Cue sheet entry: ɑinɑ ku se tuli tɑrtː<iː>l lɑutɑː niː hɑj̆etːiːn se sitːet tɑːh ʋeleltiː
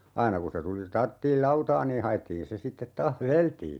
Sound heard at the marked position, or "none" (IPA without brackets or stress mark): iː